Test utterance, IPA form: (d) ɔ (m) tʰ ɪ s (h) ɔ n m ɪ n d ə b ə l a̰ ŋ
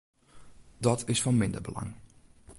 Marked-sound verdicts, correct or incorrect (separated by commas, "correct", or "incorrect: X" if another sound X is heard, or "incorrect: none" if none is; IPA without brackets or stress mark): correct, incorrect: none, incorrect: f